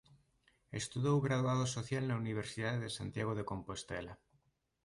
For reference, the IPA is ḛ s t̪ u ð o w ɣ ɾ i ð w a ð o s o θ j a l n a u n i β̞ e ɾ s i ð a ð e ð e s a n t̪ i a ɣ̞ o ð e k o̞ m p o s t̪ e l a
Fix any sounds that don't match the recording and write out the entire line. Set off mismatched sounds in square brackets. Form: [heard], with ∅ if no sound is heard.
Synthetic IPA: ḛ s t̪ u ð o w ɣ ɾ [a] ð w a ð o s o θ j a l n a u n i β̞ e ɾ s i ð a ð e ð e s a n t̪ [j] a ɣ̞ o ð e k o̞ m p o s t̪ e l a